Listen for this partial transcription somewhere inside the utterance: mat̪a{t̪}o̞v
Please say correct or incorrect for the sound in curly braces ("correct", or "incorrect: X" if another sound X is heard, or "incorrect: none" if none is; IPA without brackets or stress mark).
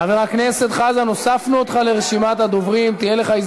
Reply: incorrect: d̪